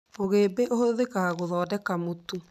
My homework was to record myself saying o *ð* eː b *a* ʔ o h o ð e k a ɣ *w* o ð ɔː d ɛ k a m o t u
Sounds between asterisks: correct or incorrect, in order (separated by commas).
incorrect, incorrect, incorrect